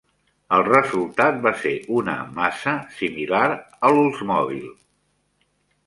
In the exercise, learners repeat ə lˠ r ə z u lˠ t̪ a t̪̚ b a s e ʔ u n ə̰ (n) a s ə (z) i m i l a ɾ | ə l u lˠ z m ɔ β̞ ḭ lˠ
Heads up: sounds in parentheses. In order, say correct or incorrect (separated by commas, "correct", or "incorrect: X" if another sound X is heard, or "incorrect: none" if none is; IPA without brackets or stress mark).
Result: incorrect: m, incorrect: s